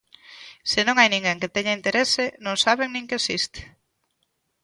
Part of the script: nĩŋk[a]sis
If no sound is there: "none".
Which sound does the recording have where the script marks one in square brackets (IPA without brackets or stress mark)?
e